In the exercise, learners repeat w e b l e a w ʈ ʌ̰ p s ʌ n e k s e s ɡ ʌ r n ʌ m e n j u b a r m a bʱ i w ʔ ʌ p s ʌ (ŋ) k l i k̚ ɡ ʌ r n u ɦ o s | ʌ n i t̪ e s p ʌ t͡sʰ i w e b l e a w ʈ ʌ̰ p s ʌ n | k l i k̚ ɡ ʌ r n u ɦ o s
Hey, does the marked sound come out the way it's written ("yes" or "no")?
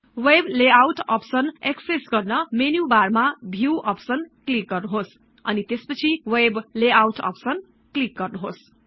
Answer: no